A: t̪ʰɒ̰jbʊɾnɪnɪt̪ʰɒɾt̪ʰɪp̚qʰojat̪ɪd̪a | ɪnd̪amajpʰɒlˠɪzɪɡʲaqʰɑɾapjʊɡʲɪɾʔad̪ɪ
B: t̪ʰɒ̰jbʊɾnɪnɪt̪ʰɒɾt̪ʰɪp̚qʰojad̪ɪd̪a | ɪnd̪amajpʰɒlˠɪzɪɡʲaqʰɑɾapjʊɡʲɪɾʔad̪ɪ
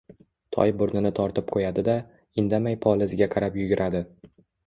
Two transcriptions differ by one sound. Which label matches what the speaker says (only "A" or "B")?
B